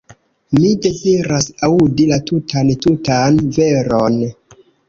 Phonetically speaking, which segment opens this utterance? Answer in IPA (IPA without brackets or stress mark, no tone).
m